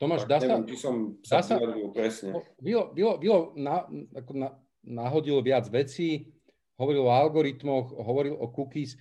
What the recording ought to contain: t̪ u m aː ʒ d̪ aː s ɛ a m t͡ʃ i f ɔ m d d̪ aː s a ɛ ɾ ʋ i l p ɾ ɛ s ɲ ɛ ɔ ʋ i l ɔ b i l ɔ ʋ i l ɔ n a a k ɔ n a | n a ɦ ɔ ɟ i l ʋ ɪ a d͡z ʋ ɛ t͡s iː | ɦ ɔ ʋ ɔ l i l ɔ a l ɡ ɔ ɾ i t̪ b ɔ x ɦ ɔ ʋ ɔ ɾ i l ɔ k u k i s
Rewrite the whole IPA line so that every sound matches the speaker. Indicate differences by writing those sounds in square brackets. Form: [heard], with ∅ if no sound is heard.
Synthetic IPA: t̪ [ɔ] m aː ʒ d̪ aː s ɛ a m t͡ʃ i [s] ɔ m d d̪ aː s a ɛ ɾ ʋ i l p ɾ ɛ s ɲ ɛ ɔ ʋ i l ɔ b i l ɔ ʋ i l ɔ n a a k ɔ n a | n a ɦ ɔ ɟ i l ʋ ɪ a d͡z ʋ ɛ t͡s iː | ɦ ɔ ʋ ɔ [ɾ] i l ɔ a l ɡ ɔ ɾ i t̪ [m] ɔ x ɦ ɔ ʋ ɔ ɾ i l ɔ k u k i s